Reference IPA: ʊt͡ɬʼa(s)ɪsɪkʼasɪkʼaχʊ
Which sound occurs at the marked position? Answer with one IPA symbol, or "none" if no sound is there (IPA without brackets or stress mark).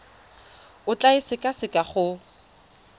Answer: none